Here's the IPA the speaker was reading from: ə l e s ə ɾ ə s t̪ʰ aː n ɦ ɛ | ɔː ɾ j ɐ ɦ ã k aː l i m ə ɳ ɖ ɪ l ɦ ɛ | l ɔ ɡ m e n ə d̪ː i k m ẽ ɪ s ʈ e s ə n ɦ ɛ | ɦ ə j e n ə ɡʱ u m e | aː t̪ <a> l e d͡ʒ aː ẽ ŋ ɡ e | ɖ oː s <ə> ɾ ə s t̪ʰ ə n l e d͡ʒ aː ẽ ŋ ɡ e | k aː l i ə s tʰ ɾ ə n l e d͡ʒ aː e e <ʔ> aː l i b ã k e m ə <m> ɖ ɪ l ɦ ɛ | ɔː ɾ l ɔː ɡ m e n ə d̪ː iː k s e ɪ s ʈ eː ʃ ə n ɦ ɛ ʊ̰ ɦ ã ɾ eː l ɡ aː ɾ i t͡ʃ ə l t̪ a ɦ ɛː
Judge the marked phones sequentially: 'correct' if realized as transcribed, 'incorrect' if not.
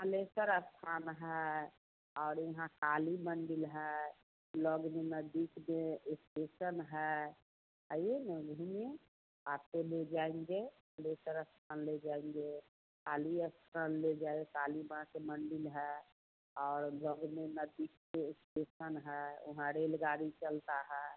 incorrect, correct, incorrect, incorrect

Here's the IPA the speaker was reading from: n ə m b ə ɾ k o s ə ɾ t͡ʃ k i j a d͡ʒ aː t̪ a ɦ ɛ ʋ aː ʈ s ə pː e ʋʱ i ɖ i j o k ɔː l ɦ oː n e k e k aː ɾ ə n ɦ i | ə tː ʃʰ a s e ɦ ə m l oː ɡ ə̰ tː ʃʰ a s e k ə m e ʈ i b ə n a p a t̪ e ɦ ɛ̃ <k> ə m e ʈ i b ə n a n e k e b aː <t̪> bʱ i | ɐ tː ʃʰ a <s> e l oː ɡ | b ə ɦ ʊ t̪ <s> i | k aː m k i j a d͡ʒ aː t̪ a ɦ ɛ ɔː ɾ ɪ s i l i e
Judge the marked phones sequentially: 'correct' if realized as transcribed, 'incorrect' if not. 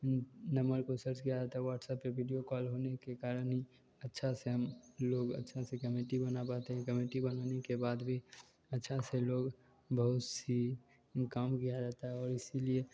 correct, incorrect, correct, correct

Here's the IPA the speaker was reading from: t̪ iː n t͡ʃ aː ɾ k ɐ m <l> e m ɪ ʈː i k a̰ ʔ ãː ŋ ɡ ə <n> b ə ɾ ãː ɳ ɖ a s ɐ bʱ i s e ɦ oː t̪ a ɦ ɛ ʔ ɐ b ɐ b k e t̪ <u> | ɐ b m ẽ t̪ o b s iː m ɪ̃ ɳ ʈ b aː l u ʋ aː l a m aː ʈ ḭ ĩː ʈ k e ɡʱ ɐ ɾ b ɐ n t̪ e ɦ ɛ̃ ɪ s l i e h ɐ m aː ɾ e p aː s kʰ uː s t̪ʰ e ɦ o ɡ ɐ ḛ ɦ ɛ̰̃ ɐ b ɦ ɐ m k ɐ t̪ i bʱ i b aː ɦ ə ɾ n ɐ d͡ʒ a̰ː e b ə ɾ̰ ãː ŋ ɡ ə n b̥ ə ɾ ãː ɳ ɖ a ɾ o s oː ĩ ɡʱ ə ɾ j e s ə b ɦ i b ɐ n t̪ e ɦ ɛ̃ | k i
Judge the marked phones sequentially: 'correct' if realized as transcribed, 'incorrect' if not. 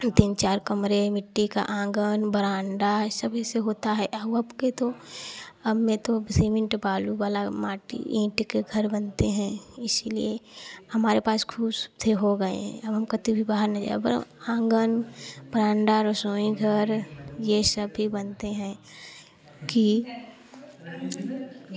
incorrect, correct, incorrect

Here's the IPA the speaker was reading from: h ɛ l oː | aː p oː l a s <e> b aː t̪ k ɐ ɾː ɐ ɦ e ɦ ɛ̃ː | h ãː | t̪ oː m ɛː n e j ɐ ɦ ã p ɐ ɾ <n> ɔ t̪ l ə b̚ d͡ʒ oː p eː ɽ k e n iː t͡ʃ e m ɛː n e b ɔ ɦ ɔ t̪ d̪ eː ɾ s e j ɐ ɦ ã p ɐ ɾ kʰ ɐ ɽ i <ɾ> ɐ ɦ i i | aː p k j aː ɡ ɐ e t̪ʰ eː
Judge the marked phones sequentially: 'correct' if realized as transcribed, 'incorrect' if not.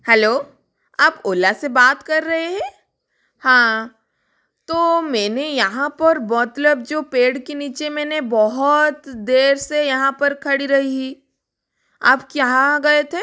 correct, incorrect, correct

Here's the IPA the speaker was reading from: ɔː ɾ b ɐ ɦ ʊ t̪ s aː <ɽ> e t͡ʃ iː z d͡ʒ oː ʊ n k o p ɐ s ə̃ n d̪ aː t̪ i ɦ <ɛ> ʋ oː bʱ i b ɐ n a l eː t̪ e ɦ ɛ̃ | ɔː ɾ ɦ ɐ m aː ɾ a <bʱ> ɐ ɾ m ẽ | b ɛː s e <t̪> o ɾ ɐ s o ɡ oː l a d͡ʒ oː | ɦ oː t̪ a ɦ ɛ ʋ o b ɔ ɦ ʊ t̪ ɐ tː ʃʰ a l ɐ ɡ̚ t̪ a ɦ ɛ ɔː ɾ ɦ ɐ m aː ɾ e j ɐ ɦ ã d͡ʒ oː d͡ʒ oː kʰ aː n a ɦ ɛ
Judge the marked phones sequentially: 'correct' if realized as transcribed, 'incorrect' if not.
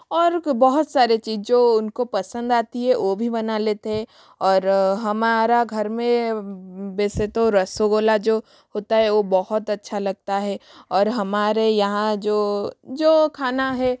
incorrect, correct, incorrect, correct

